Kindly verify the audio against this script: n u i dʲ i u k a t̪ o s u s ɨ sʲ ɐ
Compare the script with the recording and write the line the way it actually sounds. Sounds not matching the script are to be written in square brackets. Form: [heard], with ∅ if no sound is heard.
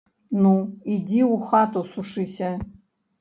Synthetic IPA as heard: n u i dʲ i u [x] a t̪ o s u [ʂ] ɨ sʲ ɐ